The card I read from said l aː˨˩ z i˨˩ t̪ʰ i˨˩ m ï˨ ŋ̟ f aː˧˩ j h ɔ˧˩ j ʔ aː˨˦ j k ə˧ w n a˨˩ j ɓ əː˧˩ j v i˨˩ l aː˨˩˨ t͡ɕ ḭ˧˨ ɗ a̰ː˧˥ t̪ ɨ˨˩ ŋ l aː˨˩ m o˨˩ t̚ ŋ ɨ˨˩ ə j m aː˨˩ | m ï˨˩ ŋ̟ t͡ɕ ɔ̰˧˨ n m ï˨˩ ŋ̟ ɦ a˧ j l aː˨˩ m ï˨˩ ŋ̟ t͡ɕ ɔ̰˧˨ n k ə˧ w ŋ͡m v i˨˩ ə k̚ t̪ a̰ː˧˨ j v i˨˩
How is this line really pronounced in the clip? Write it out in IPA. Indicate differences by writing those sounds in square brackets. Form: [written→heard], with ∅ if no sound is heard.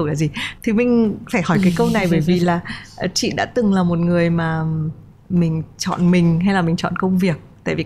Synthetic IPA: l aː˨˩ z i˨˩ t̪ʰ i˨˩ m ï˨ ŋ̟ f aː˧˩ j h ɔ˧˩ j [ʔ→k] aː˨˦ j k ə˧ w n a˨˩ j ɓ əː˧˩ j v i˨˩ l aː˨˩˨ t͡ɕ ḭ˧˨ ɗ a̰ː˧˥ t̪ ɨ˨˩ ŋ l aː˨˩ m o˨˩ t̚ ŋ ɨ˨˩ ə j m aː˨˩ | m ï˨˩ ŋ̟ t͡ɕ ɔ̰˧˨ n m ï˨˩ ŋ̟ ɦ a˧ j l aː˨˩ m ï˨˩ ŋ̟ t͡ɕ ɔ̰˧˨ n k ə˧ w ŋ͡m v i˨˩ ə k̚ t̪ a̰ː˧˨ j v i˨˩